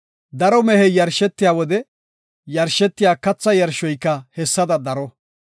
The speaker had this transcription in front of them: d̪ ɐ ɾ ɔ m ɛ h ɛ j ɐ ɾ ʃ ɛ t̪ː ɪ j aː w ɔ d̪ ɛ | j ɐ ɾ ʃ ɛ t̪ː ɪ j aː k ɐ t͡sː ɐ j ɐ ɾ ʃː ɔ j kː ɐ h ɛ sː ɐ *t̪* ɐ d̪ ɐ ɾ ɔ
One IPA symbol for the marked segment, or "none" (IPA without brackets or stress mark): d̪